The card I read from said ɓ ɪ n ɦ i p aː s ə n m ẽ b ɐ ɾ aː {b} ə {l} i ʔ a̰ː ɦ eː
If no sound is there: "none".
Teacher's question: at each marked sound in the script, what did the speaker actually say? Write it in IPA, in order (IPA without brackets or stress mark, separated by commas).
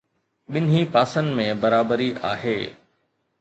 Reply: b, ɾ